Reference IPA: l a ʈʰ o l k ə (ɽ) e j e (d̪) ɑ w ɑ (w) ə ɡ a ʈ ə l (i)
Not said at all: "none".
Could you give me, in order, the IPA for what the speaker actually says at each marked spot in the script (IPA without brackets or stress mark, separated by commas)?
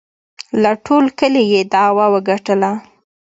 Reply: l, d̪, w, a